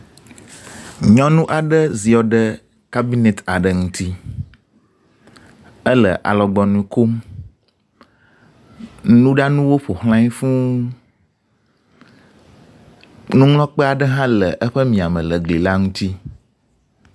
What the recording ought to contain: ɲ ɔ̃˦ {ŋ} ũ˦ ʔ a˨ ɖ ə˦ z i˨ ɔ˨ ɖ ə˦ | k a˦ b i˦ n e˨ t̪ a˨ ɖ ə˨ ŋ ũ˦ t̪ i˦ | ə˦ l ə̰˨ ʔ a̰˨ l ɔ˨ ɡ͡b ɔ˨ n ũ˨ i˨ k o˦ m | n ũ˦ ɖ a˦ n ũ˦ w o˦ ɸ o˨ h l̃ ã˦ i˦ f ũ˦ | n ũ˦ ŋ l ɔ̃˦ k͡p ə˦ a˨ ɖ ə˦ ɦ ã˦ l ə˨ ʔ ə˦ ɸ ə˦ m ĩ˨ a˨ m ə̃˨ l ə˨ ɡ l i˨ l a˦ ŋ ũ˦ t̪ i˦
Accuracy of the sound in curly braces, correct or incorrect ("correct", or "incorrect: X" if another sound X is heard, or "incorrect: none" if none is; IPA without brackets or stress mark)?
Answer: incorrect: n